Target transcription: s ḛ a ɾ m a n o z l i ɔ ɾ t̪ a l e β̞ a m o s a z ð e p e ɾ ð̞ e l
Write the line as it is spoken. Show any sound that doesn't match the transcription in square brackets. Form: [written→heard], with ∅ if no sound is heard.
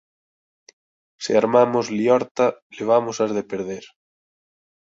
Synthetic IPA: s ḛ a ɾ m a [n→m] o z l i ɔ ɾ t̪ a l e β̞ a m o s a z ð e p e ɾ ð̞ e [l→ɾ]

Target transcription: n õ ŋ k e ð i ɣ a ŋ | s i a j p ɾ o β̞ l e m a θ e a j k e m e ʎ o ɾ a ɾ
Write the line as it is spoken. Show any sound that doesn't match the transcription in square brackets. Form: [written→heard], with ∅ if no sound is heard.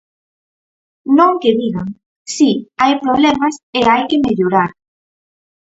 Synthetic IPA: n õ ŋ k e ð i ɣ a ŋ | s i a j p ɾ o β̞ l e m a [θ→s] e a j k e m e ʎ o ɾ a ɾ

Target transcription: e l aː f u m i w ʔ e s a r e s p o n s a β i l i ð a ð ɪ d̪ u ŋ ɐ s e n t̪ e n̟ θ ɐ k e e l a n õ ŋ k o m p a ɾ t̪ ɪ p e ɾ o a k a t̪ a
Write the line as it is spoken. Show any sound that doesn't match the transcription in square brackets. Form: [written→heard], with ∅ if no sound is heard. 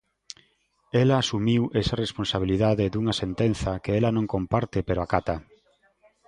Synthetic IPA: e l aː [f→s] u m i w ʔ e s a r e s p o n s a β i l i ð a ð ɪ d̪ u ŋ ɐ s e n t̪ e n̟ θ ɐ k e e l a n õ ŋ k o m p a ɾ t̪ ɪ p e ɾ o a k a t̪ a

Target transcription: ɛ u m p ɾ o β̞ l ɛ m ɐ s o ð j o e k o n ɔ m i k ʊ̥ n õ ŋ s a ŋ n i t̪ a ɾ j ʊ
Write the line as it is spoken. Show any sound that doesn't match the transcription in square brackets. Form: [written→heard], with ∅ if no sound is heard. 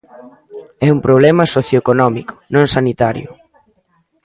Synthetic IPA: ɛ u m p ɾ o β̞ l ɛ m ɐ s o [ð→θ] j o e k o n ɔ m i k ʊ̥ n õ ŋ s a [ŋ→∅] n i t̪ a ɾ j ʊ

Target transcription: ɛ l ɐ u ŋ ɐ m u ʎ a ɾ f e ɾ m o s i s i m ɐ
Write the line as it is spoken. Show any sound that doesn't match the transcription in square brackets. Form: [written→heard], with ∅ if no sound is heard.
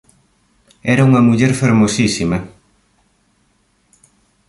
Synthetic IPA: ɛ [l→ɾ] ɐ u ŋ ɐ m u ʎ [a→ɛ] ɾ f e ɾ m o s i s i m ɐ

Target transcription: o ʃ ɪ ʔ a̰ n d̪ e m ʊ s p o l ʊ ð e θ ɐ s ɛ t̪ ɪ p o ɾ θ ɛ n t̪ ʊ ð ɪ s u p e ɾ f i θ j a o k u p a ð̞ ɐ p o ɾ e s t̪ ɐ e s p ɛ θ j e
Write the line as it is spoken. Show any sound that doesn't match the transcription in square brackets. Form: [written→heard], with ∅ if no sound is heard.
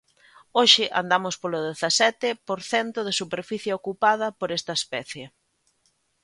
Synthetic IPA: o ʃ ɪ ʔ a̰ n d̪ [e→a] m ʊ s p o l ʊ ð e θ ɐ s ɛ t̪ ɪ p o ɾ θ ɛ n t̪ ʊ ð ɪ s u p e ɾ f i θ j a o k u p a ð̞ ɐ p o ɾ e s t̪ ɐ e s p ɛ θ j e

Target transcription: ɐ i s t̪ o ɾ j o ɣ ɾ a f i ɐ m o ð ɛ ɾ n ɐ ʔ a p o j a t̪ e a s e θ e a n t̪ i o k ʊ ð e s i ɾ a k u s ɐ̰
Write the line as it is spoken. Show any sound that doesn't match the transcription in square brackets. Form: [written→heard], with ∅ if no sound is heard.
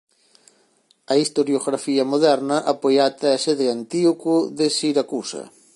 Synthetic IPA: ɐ i s t̪ o ɾ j o ɣ ɾ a f i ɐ m o ð ɛ ɾ n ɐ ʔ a p o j a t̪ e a s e [θ→ð] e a n t̪ i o k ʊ ð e s i ɾ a k u s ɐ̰

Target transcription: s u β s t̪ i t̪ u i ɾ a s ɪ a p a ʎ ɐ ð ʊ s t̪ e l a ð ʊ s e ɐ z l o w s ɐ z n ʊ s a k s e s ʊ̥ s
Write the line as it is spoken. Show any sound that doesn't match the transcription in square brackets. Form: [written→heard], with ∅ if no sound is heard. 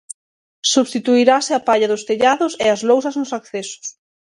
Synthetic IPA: s u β s t̪ i t̪ u i ɾ a s ɪ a p a ʎ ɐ ð ʊ s t̪ e [l→ʎ] a ð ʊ s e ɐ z l o w s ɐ z n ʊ s a k [s→θ] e s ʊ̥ s

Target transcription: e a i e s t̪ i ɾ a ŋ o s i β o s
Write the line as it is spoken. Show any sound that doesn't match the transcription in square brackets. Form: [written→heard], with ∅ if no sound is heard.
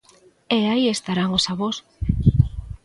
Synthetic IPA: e a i e s t̪ [i→a] ɾ a ŋ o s [i→a] β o s

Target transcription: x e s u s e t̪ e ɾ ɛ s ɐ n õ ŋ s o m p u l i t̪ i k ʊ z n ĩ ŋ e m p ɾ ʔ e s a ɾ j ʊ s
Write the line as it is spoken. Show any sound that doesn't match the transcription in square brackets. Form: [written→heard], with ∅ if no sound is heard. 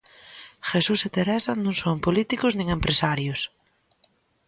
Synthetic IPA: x e s u s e t̪ e ɾ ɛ s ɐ n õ ŋ s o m p [u→o] l i t̪ i k ʊ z n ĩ ŋ e m p ɾ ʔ e s a ɾ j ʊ s

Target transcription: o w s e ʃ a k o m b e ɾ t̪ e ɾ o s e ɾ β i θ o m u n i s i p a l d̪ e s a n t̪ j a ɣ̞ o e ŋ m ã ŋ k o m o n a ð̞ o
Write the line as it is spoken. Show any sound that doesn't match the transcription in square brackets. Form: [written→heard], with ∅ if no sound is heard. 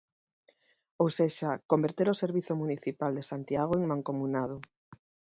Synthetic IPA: o w s e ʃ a k o m b e ɾ t̪ e ɾ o s e ɾ β i θ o m u n i [s→θ] i p a l d̪ e s a n t̪ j a ɣ̞ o e ŋ m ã ŋ k o m [o→u] n a ð̞ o

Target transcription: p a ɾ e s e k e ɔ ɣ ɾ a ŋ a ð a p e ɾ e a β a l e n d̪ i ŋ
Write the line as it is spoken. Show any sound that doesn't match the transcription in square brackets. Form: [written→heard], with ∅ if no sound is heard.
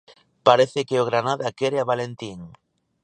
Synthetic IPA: p a ɾ e [s→θ] e k e [ɔ→o] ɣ ɾ a [ŋ→n] a ð a [p→k] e ɾ e a β a l e n [d̪→t̪] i ŋ

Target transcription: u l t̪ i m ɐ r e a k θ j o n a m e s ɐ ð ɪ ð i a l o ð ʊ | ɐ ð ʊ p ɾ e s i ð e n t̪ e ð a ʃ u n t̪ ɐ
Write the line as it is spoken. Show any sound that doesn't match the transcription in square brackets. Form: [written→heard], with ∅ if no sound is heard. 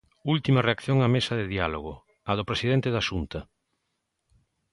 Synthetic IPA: u l t̪ i m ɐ r e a k θ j o [n→ŋ] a m e s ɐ ð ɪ ð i a l o [ð→ɣ] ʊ | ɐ ð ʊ p ɾ e s i ð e n t̪ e ð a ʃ u n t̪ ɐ

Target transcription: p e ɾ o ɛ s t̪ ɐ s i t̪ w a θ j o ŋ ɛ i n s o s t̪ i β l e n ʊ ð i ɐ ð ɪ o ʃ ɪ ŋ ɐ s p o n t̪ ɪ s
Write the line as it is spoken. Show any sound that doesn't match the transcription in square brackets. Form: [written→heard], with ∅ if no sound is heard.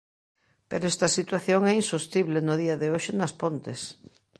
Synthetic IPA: p e ɾ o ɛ s t̪ ɐ s i t̪ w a θ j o ŋ ɛ i n s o s t̪ i β l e n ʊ ð i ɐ ð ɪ o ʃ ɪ [ŋ→n] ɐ s p o n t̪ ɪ s

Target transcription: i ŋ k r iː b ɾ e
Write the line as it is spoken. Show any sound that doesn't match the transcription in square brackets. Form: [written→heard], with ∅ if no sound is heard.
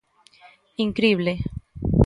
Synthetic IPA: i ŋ k [r→ɾ] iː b [ɾ→l] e

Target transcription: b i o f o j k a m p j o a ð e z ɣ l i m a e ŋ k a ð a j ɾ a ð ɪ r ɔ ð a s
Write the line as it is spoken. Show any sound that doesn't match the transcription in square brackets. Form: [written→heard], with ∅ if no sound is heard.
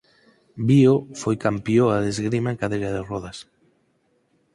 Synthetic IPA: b i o f o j k a m p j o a ð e z ɣ [l→ɾ] i m a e ŋ k a ð [a→e] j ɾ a ð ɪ r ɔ ð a s

